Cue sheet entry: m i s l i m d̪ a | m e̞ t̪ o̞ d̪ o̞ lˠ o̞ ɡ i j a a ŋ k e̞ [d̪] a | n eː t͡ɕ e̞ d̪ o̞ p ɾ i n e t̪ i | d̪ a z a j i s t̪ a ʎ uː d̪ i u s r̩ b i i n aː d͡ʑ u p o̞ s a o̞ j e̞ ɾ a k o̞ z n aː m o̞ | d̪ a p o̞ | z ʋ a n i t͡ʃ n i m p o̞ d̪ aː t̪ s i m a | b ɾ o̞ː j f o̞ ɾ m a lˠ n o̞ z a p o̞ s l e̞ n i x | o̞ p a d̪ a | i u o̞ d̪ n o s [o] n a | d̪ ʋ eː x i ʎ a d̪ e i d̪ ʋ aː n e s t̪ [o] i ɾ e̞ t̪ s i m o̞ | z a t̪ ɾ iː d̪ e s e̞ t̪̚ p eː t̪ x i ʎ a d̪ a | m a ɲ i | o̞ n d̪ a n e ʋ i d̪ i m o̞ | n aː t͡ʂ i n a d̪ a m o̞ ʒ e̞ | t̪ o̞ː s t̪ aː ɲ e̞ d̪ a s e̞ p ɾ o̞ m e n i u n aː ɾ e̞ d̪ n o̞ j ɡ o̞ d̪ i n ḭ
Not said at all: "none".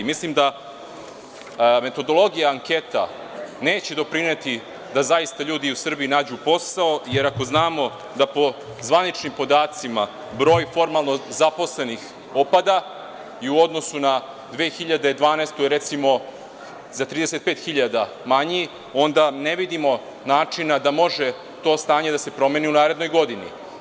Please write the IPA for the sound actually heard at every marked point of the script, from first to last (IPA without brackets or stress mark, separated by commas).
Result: t̪, u, o